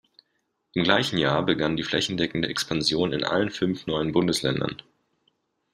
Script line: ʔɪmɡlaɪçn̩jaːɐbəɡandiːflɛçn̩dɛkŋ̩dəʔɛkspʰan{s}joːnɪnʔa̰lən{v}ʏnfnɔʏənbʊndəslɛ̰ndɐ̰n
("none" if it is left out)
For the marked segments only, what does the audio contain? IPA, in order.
z, f

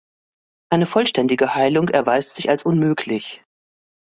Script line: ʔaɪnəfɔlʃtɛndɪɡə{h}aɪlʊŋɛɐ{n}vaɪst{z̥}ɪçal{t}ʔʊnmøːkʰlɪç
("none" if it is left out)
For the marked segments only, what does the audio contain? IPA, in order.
h, none, z̥, s

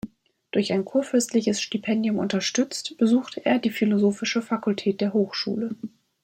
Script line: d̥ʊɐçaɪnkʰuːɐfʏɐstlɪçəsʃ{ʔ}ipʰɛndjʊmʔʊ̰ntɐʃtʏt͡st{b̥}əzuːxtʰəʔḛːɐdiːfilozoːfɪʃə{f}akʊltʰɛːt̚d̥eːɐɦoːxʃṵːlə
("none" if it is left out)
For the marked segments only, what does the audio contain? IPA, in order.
t, b̥, f

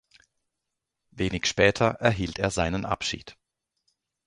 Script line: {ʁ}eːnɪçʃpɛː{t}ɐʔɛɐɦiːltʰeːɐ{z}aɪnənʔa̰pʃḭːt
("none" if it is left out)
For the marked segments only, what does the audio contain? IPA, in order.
v, tʰ, z

